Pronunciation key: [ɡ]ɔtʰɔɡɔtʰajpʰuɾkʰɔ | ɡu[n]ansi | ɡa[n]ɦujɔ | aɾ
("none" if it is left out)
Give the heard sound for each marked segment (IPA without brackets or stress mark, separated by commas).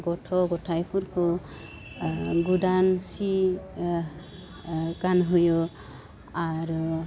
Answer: ɡ, d, n